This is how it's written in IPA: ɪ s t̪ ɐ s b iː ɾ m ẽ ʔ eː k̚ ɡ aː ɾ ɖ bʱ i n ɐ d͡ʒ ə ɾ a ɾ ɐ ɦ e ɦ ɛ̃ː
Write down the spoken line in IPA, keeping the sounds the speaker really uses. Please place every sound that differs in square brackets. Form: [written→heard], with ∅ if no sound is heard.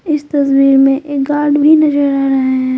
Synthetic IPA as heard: ɪ s t̪ ɐ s [b→w] iː ɾ m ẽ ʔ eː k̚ ɡ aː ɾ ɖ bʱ i n ɐ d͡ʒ ə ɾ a ɾ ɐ ɦ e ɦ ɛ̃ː